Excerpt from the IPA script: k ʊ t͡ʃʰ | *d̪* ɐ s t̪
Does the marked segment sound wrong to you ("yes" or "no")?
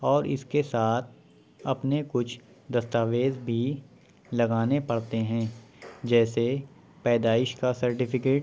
no